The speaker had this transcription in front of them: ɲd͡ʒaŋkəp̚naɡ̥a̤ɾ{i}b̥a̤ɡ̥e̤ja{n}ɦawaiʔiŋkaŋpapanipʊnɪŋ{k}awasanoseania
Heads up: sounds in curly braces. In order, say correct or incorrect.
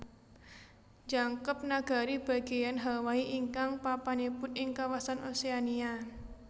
correct, correct, correct

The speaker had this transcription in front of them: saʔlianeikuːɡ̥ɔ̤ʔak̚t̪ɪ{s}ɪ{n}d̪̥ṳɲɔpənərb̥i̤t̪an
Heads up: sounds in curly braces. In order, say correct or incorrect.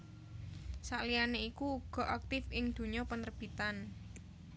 incorrect: f, incorrect: ŋ

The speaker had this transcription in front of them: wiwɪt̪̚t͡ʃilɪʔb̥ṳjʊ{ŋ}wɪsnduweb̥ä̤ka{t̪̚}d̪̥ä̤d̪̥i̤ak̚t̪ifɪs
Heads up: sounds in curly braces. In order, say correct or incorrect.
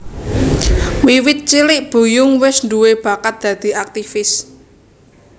correct, correct

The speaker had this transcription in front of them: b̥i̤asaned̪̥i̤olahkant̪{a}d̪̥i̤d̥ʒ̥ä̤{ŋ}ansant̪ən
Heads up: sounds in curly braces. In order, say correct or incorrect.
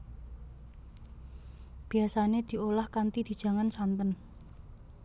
incorrect: i, correct

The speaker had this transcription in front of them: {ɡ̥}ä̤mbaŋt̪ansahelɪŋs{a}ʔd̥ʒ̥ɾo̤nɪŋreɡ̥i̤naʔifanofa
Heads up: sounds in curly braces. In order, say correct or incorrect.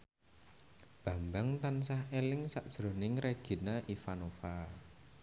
incorrect: b̥, correct

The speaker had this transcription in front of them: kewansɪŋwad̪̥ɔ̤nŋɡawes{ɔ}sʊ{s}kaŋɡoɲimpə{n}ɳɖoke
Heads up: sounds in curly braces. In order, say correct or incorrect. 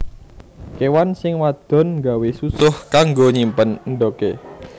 incorrect: u, incorrect: h, correct

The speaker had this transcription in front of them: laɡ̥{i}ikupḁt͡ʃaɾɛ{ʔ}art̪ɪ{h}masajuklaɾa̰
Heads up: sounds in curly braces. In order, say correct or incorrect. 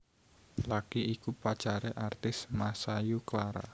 correct, correct, incorrect: s

